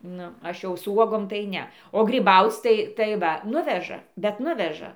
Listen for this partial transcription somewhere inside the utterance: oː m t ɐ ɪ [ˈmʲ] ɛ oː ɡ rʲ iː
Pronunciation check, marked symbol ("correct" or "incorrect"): incorrect